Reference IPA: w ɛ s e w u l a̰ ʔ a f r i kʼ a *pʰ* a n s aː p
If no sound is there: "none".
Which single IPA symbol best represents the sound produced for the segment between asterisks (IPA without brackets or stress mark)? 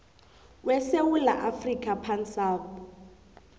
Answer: pʰ